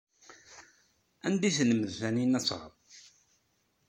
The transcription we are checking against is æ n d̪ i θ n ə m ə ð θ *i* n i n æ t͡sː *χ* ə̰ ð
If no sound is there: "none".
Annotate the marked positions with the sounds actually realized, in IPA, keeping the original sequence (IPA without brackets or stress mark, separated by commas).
æ, ʁ